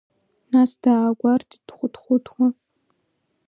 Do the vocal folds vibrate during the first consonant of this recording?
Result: yes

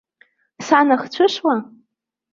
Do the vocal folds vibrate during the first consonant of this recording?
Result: no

